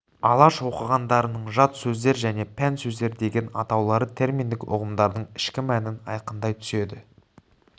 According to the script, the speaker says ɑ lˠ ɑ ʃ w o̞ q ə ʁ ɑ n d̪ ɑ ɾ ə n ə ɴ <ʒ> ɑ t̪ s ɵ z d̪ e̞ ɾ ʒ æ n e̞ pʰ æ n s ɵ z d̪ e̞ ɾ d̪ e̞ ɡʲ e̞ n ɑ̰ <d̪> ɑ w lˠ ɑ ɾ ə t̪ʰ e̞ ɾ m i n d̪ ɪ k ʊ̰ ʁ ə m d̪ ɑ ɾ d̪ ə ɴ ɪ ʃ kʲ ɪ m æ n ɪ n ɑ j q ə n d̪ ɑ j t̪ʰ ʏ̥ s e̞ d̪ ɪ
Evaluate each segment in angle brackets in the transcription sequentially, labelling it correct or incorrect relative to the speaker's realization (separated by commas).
correct, incorrect